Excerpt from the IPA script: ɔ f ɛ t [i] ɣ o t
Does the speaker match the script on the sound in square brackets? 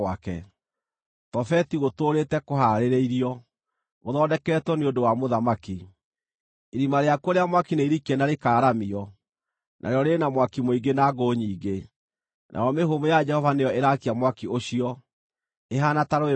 yes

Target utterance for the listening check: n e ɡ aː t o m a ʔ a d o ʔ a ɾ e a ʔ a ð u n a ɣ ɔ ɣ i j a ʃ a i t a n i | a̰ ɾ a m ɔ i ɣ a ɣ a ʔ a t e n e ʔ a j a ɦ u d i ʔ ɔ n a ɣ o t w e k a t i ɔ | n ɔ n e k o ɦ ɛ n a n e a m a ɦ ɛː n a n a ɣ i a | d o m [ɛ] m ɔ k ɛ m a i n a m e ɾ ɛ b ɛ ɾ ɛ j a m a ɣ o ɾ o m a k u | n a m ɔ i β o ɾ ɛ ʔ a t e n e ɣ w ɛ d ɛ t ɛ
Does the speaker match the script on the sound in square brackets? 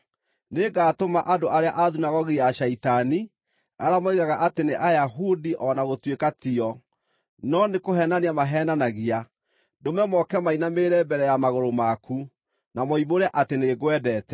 yes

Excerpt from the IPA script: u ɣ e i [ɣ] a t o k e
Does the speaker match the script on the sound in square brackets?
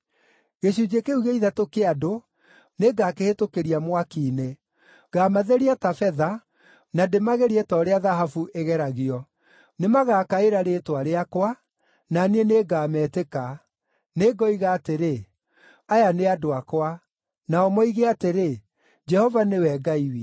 no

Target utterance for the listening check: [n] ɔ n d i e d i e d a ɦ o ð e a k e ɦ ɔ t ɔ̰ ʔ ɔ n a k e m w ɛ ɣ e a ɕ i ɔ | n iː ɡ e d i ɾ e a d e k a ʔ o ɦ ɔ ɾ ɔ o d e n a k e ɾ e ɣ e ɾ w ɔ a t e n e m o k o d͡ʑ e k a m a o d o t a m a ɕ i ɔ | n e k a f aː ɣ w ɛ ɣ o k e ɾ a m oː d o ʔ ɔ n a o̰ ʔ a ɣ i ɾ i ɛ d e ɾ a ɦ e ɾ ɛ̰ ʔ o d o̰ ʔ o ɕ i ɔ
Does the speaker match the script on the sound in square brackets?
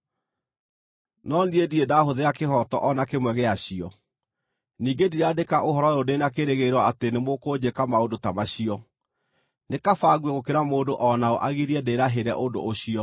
yes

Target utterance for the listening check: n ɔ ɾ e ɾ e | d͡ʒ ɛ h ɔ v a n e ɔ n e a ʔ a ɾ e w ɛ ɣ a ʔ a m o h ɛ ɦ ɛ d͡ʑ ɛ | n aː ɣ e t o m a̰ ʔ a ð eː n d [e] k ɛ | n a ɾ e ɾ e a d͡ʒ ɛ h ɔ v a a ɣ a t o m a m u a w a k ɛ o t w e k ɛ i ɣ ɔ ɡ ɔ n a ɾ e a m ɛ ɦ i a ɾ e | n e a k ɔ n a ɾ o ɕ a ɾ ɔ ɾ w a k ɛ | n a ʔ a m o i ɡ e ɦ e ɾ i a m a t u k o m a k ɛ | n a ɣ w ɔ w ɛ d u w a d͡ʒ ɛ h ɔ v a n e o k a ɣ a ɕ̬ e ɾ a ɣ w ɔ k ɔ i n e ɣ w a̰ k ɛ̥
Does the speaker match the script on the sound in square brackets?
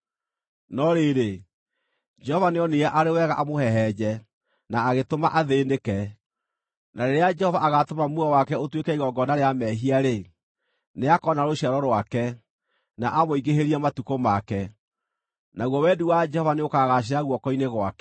yes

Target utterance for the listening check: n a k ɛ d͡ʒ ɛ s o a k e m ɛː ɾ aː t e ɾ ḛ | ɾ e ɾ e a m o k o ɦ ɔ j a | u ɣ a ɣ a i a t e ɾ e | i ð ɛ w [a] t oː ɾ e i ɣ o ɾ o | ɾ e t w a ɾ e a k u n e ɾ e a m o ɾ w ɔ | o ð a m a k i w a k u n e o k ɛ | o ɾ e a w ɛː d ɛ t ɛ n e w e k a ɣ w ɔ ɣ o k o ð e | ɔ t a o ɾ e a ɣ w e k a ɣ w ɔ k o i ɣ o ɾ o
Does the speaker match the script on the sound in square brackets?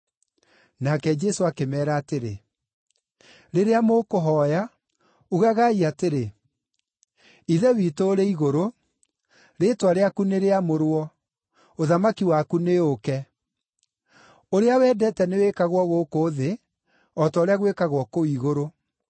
no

